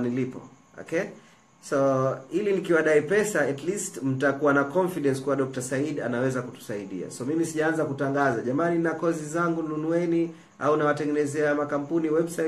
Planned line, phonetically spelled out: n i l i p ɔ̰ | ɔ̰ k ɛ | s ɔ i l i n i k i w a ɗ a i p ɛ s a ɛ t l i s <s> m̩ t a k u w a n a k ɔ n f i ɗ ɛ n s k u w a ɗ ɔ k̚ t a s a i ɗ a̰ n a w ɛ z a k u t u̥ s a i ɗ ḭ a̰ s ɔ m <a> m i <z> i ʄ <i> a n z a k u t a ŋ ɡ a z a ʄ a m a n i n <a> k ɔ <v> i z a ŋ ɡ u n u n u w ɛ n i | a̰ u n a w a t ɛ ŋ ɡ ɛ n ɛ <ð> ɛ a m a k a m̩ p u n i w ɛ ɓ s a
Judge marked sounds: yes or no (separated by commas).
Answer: no, no, no, no, yes, no, no